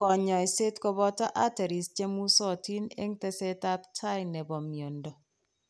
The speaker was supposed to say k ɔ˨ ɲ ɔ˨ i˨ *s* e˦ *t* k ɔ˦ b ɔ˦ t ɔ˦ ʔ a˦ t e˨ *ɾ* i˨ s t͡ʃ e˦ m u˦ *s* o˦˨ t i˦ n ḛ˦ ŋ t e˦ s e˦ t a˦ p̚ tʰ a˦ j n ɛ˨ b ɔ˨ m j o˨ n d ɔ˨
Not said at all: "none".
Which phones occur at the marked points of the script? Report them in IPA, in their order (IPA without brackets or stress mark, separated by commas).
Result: s, t, ɾ, s